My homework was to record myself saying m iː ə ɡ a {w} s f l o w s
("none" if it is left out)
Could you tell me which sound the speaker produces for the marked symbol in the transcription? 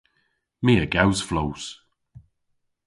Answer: w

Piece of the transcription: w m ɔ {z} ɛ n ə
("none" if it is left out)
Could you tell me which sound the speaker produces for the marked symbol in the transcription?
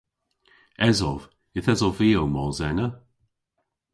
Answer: z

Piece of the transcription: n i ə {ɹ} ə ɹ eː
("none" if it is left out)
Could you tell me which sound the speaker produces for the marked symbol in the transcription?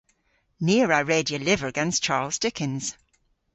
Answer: ɹ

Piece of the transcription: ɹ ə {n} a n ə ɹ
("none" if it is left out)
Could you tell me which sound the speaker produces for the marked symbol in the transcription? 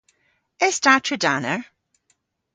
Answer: d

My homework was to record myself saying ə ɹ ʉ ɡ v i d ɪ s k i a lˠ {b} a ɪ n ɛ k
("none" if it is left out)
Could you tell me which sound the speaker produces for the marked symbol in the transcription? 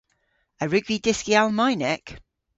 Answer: m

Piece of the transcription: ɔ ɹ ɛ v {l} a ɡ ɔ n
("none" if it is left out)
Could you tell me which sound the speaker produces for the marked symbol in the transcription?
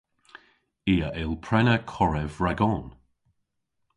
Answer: ɹ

